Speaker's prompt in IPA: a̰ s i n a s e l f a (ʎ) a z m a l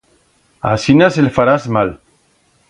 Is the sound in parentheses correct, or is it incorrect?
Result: incorrect